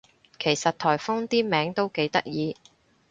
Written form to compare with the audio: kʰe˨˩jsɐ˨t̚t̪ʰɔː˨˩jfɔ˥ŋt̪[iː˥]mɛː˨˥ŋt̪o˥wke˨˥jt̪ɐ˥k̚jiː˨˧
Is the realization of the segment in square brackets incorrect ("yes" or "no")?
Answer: no